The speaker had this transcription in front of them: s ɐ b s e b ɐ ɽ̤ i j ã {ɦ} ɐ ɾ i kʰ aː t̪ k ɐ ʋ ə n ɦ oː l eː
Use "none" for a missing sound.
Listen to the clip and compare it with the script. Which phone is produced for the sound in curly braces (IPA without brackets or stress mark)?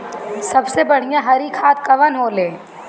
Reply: ɦ